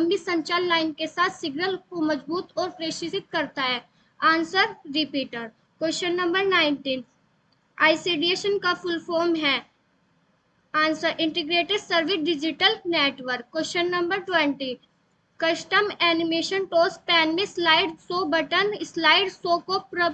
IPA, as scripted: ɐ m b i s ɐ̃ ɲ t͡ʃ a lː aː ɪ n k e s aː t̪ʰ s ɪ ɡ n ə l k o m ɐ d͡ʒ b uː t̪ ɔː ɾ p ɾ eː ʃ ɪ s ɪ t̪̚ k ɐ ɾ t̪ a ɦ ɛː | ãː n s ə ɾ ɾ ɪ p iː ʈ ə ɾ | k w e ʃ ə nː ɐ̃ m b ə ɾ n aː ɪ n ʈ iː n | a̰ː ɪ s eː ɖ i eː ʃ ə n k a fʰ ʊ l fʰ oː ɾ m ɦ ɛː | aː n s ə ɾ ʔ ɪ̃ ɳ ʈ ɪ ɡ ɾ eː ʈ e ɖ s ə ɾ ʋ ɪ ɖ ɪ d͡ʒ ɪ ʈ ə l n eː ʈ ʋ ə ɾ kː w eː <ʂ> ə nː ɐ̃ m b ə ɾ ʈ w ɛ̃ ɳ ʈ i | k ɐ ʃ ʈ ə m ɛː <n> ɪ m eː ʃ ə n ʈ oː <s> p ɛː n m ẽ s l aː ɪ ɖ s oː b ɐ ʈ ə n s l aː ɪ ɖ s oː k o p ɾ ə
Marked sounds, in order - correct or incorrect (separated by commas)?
incorrect, correct, correct